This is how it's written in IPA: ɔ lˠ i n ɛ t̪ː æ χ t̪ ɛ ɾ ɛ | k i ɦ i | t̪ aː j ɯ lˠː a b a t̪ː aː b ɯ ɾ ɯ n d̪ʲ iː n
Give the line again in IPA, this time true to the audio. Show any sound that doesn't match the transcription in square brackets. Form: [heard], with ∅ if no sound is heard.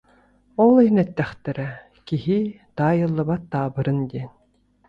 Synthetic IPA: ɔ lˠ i n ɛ t̪ː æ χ t̪ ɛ ɾ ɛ | k i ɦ i | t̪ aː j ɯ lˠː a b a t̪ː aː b ɯ ɾ ɯ n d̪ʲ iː n